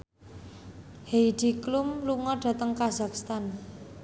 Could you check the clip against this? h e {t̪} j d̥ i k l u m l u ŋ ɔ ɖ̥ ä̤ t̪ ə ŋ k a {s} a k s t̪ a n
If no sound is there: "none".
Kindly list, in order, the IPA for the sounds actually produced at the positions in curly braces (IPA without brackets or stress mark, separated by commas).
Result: none, z